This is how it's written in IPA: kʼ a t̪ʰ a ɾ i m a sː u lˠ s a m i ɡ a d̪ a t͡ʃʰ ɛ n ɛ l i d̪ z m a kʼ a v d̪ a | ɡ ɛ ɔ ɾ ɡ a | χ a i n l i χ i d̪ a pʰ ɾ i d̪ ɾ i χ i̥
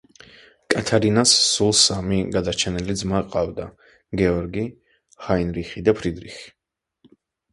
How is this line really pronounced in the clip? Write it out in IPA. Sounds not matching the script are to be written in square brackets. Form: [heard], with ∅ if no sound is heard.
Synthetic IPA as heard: kʼ a t̪ʰ a ɾ i [n] a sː u lˠ s a m i ɡ a d̪ a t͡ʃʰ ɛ n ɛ l i d̪ z m a [qʼ] a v d̪ a | ɡ ɛ ɔ ɾ ɡ [i] | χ a i n [ɾ] i χ i d̪ a pʰ ɾ i d̪ ɾ i χ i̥